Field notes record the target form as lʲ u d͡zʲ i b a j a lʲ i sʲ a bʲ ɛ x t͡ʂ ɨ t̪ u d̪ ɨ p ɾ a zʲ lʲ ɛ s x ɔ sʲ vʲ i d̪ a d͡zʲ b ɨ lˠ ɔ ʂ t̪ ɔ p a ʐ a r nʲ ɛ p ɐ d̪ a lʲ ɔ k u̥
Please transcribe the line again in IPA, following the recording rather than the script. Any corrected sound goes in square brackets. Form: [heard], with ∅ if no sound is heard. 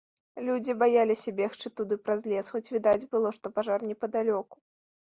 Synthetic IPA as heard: lʲ u d͡zʲ i b a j a lʲ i sʲ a bʲ ɛ x t͡ʂ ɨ t̪ u d̪ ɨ p ɾ a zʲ lʲ ɛ s x ɔ [t͡sʲ] vʲ i d̪ a d͡zʲ b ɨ lˠ ɔ ʂ t̪ ɔ p a ʐ a r nʲ ɛ p ɐ d̪ a lʲ ɔ k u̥

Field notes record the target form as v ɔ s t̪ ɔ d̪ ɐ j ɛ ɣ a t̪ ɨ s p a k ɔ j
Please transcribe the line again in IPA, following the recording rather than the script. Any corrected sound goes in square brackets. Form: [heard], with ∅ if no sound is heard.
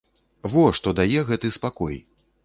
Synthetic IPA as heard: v ɔ [ʂ] t̪ ɔ d̪ [a] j ɛ ɣ [ɛ] t̪ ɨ s p a k ɔ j

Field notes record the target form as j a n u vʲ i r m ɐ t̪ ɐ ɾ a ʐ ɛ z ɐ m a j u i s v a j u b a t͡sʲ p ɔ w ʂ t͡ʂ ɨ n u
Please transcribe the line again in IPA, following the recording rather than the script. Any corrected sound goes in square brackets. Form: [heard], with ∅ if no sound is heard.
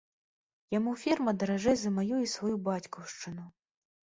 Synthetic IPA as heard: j a [m] u [fʲ] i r m ɐ [d̪] ɐ ɾ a ʐ ɛ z ɐ m a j u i s v a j u b a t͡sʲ [k] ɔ w ʂ t͡ʂ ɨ n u

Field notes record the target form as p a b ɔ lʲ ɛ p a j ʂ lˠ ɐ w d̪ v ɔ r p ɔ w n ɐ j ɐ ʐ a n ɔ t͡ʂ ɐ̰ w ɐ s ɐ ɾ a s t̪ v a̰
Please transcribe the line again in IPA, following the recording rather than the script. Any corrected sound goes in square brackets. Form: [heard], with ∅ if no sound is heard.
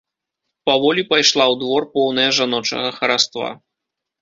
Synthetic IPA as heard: p a [v] ɔ lʲ [i] p a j ʂ lˠ [a] w d̪ v ɔ r p ɔ w n ɐ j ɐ ʐ a n ɔ t͡ʂ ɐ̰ [ɣ] ɐ [x] ɐ ɾ a s t̪ v a̰

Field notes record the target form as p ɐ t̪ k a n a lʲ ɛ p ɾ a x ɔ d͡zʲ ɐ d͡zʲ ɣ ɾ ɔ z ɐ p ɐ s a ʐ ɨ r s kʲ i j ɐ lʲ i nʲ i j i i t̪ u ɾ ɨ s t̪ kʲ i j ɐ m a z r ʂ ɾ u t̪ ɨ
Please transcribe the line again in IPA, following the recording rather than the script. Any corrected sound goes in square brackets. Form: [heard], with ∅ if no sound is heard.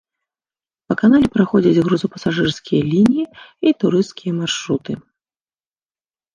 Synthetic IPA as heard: p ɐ [∅] k a n a lʲ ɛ p ɾ a x ɔ d͡zʲ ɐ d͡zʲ ɣ ɾ [u] z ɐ p ɐ s a ʐ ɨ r s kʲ i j ɐ lʲ i nʲ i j i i t̪ u ɾ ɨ s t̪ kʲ i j ɐ m a [∅] r ʂ ɾ u t̪ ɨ

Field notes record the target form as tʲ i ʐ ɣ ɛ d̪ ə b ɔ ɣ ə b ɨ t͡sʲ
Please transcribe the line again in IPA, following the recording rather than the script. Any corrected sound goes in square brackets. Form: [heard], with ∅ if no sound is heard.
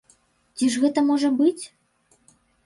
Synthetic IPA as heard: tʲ i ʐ ɣ ɛ [t̪] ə [m] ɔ [ʐ] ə b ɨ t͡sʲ

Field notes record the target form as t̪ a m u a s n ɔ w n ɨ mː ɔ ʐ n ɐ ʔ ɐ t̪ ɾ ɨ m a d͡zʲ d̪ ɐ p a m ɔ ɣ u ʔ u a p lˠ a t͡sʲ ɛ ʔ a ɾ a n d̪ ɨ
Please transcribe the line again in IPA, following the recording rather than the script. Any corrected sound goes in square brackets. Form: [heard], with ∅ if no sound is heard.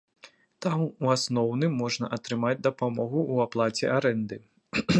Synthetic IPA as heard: t̪ a m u a s n ɔ w n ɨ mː ɔ ʐ n ɐ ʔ ɐ t̪ ɾ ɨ m a d͡zʲ d̪ ɐ p a m ɔ ɣ u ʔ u a p lˠ a t͡sʲ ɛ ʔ a ɾ [ɛ] n d̪ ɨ

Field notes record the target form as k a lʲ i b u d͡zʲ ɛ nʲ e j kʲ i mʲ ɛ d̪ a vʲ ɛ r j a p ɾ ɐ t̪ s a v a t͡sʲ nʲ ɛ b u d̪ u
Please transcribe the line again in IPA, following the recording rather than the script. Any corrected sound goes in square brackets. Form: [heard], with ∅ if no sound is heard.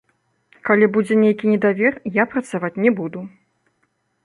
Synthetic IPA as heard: k a lʲ i b u d͡zʲ ɛ nʲ e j kʲ i [nʲ] ɛ d̪ a vʲ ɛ r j a p ɾ ɐ t̪ s a v a t͡sʲ nʲ ɛ b u d̪ u

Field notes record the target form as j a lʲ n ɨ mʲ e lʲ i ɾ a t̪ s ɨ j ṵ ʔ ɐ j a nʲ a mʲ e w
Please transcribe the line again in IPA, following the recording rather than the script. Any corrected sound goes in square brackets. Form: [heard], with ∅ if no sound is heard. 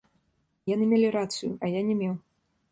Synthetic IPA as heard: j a [∅] n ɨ mʲ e lʲ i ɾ a t̪ s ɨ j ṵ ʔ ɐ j a nʲ [ɛ] mʲ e w

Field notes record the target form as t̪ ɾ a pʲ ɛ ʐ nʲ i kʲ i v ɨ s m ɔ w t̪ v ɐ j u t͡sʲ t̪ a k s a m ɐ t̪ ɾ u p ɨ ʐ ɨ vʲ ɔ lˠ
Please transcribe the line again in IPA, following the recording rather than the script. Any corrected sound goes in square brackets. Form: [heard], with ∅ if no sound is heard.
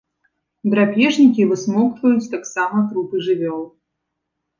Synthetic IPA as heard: [d̪] ɾ a pʲ ɛ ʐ nʲ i kʲ i v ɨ s m ɔ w t̪ v ɐ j u t͡sʲ t̪ a k s a m ɐ t̪ ɾ u p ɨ ʐ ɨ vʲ ɔ lˠ

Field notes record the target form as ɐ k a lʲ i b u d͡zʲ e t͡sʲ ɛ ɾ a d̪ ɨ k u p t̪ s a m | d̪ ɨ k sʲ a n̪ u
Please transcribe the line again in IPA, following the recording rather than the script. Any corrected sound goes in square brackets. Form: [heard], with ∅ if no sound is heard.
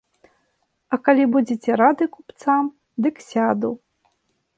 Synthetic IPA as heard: ɐ k a lʲ i b u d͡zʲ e t͡sʲ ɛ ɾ a d̪ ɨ k u p t̪ s a m | d̪ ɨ k sʲ a [d̪] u

